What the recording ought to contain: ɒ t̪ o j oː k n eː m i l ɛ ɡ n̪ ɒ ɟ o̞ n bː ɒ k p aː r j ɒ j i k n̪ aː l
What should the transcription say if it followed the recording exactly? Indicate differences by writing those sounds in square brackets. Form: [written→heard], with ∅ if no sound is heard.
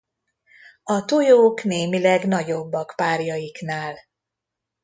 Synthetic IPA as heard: ɒ t̪ o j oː k n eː m i l ɛ ɡ n̪ ɒ ɟ o̞ [n→∅] bː ɒ k p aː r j ɒ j i k n̪ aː l